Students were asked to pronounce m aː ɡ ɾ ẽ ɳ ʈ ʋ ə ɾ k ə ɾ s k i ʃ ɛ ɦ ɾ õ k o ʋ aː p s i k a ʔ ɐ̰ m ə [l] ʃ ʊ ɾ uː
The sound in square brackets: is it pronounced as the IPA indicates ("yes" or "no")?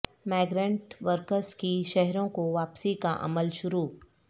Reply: yes